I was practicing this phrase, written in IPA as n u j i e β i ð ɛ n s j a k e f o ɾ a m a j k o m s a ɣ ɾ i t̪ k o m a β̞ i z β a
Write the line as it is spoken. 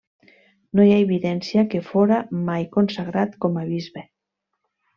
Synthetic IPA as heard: n o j a e β i ð ɛ n s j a k e f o ɾ a m a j k o n s a ɣ ɾ a t̪ k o m a β̞ i z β e